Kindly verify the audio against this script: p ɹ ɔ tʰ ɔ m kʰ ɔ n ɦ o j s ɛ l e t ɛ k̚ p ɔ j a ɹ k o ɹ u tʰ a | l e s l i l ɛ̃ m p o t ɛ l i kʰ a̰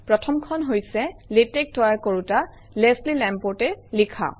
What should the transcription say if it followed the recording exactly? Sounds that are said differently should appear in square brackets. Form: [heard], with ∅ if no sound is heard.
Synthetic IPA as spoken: p ɹ ɔ tʰ ɔ m kʰ ɔ n ɦ o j s ɛ l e t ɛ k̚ [t] ɔ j a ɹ k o ɹ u [t] a | l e s l i l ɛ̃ m p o t ɛ l i kʰ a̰